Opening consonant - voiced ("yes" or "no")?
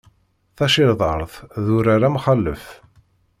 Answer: no